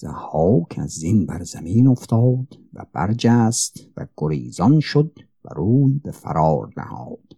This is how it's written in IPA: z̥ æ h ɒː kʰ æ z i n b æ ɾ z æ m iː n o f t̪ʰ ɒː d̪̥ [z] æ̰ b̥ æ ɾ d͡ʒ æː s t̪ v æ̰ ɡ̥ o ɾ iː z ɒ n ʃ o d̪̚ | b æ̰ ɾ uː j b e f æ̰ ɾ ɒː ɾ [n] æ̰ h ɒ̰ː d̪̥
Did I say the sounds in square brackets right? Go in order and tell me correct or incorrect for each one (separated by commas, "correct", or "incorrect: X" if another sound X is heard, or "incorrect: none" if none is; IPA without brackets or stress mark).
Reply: incorrect: v, correct